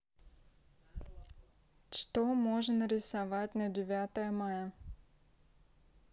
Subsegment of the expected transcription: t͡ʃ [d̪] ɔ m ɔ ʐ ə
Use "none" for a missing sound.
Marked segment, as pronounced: t̪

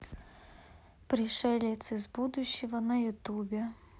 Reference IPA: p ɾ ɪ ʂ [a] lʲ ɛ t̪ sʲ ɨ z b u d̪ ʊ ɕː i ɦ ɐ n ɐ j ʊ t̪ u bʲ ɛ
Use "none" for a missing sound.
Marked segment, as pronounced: ɛ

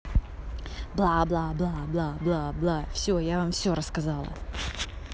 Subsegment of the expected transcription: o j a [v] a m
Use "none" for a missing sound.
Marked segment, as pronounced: v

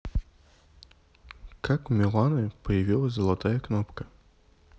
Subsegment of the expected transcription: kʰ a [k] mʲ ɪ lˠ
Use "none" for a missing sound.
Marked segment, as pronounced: k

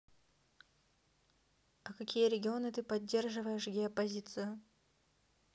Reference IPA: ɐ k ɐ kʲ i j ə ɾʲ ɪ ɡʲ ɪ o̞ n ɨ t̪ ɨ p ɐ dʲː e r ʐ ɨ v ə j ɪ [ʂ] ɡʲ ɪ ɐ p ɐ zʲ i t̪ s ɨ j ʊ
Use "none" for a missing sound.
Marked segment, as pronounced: ʂ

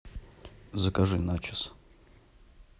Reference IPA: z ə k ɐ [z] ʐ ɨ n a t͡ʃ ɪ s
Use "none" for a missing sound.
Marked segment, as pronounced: none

